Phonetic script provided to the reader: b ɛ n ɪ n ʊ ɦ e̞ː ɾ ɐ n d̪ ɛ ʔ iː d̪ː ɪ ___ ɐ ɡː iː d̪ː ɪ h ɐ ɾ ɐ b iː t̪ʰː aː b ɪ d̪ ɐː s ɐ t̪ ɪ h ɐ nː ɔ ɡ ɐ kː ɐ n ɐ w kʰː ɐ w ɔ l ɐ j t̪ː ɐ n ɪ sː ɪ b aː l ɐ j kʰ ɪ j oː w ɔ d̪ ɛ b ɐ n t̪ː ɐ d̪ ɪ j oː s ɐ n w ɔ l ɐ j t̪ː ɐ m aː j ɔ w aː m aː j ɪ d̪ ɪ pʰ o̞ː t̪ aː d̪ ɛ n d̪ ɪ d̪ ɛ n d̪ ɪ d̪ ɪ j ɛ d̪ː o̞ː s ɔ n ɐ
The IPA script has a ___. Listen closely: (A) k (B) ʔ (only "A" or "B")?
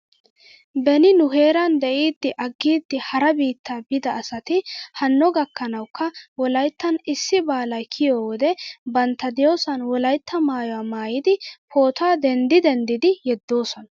B